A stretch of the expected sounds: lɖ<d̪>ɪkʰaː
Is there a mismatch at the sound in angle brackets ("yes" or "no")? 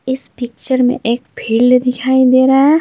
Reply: no